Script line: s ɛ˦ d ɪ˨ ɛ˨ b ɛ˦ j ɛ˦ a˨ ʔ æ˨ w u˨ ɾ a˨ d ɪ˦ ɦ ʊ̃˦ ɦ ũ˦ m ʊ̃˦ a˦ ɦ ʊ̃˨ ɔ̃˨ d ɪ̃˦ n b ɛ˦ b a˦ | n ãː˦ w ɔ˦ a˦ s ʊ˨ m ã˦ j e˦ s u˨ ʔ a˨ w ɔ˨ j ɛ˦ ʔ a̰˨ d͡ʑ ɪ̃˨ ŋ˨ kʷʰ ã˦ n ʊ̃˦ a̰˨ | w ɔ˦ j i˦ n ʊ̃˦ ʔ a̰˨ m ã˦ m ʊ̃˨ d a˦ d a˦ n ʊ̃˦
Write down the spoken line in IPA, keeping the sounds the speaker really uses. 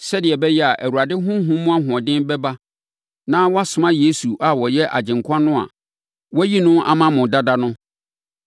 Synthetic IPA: s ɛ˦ d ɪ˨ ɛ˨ b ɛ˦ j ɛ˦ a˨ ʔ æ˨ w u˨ ɾ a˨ d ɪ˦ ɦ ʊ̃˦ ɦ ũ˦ m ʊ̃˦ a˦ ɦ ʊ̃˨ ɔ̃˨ d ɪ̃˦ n b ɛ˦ b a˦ | n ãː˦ w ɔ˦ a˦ s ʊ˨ m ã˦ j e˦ s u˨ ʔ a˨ w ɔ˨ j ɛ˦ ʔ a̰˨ d͡ʑ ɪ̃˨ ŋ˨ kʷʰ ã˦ n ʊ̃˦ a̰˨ | w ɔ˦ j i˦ n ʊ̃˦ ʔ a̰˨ m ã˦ m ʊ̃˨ d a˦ d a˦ n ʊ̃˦